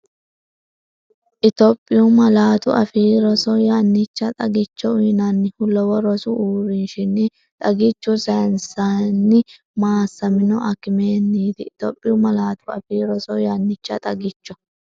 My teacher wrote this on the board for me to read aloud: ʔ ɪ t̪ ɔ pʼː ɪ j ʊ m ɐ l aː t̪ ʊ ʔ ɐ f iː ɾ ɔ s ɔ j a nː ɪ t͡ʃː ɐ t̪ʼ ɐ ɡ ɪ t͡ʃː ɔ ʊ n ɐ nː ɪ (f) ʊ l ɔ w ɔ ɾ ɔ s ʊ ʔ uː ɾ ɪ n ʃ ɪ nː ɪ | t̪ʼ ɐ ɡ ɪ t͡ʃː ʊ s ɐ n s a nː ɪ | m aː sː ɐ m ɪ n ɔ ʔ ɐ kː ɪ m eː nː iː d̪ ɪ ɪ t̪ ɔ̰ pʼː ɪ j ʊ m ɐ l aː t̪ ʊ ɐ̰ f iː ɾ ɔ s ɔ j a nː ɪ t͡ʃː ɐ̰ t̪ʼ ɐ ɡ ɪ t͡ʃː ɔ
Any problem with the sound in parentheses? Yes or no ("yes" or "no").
yes